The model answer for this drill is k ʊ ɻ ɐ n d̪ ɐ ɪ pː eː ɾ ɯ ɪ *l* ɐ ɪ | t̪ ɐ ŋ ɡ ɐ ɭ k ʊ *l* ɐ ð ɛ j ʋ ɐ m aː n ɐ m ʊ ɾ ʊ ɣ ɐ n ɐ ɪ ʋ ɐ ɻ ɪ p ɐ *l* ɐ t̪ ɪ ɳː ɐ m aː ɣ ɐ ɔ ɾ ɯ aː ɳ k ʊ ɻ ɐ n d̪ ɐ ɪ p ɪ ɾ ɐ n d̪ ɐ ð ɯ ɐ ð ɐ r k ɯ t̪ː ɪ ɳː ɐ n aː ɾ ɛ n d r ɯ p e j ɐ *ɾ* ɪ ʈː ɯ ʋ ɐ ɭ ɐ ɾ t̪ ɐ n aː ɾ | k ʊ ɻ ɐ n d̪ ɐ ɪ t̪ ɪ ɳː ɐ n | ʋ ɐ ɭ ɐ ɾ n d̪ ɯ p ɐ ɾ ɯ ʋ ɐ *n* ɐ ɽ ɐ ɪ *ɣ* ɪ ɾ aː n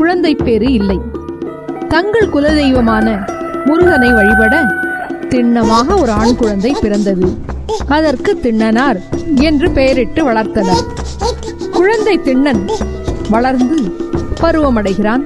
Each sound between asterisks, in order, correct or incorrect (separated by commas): incorrect, correct, incorrect, correct, incorrect, correct